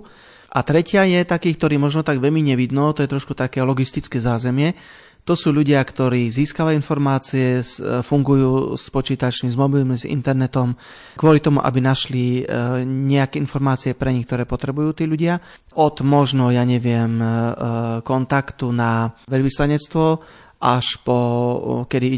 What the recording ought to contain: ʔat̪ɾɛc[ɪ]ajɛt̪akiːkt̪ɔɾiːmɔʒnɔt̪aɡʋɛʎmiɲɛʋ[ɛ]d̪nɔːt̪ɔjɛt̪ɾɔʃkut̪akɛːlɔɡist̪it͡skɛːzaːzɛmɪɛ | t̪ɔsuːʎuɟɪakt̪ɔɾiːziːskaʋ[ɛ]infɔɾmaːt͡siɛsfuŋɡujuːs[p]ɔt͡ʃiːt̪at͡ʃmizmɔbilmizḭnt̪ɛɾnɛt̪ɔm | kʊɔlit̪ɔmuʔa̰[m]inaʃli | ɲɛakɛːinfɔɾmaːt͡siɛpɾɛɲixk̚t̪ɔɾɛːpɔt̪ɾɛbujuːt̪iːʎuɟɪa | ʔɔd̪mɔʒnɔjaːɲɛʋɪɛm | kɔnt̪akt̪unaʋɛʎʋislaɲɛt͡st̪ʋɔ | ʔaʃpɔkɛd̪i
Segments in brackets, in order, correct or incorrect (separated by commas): correct, incorrect, incorrect, correct, incorrect